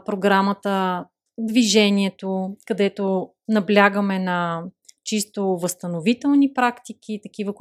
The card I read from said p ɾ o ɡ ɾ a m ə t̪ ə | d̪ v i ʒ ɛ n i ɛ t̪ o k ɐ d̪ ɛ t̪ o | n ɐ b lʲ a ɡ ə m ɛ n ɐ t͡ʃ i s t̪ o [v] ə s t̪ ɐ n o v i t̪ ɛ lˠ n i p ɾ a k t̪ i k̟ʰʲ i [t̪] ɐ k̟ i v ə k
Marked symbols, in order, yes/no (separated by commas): yes, yes